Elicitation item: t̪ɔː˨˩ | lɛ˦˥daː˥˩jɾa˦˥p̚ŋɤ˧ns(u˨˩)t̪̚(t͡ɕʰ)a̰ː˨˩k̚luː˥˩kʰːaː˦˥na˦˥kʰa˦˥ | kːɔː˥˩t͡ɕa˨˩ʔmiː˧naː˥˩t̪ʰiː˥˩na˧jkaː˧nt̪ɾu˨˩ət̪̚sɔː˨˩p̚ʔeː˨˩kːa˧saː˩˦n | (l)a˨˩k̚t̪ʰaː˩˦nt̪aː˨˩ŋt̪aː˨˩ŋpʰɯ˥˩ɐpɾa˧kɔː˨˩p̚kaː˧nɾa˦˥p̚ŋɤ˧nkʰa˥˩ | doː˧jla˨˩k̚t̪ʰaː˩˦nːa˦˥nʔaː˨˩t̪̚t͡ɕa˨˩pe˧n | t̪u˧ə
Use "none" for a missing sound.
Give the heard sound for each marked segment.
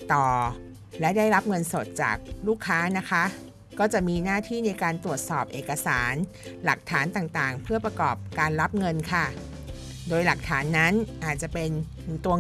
o˨˩, t͡ɕ, l

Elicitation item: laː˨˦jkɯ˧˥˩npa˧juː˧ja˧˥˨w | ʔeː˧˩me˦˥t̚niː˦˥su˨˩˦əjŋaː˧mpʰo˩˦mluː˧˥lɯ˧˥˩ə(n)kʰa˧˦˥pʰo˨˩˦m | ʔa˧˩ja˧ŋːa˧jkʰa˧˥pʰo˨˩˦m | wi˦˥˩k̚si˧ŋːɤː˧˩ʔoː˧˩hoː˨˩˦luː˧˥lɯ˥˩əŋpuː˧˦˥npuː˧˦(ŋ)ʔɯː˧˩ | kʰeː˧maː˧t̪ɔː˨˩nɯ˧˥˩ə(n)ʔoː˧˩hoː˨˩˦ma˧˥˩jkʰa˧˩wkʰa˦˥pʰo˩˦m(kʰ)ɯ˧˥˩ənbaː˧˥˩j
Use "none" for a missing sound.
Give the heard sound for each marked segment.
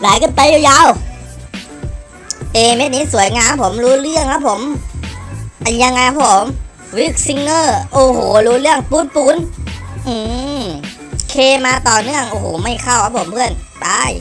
ŋ, n, ŋ, pʰ

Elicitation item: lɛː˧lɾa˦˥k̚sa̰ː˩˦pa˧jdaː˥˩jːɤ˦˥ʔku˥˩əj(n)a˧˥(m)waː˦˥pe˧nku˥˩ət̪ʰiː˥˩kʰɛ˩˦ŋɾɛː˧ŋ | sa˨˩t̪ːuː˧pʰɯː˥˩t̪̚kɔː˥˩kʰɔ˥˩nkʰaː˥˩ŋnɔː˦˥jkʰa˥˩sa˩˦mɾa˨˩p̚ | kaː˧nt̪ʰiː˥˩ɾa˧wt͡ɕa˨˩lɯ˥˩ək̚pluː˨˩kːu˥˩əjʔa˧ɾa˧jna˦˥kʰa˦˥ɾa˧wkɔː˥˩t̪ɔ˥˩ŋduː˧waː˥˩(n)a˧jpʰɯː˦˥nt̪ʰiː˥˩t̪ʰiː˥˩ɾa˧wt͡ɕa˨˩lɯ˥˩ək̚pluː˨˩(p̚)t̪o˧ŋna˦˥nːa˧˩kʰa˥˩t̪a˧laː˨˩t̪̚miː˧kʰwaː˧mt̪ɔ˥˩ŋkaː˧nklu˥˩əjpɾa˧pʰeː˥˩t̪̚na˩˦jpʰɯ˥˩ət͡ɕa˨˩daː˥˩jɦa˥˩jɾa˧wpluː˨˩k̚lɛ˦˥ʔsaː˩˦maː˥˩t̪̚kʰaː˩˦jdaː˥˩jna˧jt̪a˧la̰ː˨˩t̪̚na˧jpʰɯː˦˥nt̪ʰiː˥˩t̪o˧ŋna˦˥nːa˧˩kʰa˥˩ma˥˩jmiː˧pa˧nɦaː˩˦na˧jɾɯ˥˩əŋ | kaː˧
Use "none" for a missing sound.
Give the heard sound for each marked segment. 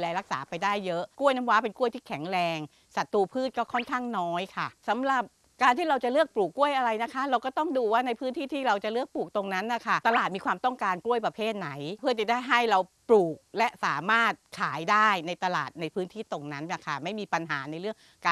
n, m, n, k̚

